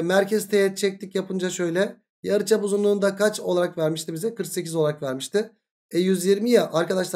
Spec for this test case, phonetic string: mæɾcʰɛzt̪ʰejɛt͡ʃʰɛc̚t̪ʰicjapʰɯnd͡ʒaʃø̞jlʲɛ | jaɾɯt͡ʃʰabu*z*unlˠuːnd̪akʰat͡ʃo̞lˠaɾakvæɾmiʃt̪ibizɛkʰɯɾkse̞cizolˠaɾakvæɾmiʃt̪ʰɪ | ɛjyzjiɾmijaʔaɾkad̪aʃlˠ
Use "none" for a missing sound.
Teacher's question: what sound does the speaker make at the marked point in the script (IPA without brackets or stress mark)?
z